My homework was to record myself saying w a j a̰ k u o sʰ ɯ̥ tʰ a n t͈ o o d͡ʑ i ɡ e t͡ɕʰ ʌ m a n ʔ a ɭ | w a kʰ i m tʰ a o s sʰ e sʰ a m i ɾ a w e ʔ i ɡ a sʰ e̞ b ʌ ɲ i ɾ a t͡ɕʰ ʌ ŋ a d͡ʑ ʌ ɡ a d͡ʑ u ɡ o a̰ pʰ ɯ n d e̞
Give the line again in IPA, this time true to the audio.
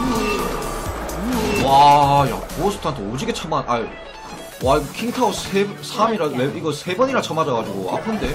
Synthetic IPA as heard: w a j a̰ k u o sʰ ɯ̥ tʰ a n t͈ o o d͡ʑ i ɡ e t͡ɕʰ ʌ m a n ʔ a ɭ | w a kʰ i ŋ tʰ a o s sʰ e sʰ a m i ɾ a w e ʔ i ɡ ʌ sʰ e̞ b ʌ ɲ i ɾ a t͡ɕʰ ʌ m a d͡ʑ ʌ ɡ a d͡ʑ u ɡ o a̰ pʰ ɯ n d e̞